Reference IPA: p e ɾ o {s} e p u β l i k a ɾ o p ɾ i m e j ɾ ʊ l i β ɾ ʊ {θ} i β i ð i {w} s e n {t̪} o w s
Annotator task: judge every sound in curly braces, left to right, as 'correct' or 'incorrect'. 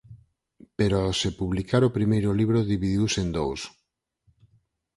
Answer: correct, incorrect: ð, correct, incorrect: d̪

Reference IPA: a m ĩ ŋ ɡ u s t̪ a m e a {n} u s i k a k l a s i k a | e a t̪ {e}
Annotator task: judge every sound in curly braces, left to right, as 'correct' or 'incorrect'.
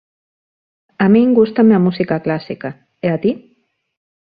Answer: incorrect: m, incorrect: i

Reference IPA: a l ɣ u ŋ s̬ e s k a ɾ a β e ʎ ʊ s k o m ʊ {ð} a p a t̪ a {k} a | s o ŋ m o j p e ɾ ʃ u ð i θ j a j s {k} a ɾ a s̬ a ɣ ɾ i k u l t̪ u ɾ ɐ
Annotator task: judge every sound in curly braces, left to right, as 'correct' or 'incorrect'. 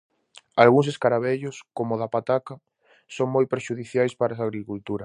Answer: correct, correct, incorrect: p

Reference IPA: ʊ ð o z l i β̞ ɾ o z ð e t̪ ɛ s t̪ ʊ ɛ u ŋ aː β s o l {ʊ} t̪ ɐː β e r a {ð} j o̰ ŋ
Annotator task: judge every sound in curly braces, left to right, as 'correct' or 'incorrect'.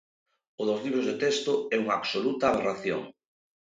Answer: incorrect: u, incorrect: θ

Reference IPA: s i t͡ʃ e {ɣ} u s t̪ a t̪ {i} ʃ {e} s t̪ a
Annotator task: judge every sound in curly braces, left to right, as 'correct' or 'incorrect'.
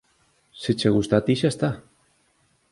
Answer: correct, correct, incorrect: a

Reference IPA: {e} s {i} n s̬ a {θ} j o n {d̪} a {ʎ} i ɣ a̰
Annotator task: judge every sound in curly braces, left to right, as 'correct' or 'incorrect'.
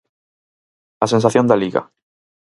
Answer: incorrect: a, incorrect: e, correct, correct, incorrect: l

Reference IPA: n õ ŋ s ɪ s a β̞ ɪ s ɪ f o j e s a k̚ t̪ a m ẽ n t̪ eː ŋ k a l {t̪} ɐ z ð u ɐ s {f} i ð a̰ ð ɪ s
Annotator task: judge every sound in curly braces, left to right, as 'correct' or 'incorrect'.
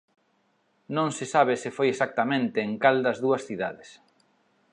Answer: incorrect: d̪, incorrect: θ

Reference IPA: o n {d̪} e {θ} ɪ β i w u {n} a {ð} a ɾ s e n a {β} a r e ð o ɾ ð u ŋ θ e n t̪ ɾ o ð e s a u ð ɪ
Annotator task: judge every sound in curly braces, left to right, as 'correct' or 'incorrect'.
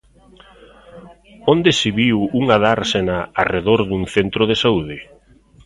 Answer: correct, incorrect: s, incorrect: ŋ, correct, incorrect: none

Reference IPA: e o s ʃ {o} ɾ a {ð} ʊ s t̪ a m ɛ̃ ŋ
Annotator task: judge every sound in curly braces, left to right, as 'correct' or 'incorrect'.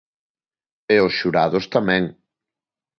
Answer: incorrect: u, correct

